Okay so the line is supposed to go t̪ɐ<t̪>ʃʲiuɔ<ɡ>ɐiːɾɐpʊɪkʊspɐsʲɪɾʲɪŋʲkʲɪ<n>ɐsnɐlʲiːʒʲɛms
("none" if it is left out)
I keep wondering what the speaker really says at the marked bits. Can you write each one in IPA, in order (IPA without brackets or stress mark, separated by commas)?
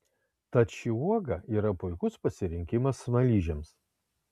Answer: t̪, ɡ, m